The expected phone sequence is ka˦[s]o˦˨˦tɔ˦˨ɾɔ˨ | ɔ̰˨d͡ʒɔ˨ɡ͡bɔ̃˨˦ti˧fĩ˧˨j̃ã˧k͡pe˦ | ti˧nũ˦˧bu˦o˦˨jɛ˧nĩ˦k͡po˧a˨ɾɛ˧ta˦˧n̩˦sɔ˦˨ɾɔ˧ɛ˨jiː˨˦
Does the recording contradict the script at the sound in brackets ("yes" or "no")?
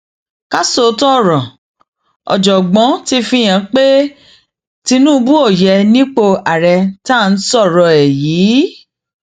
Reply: no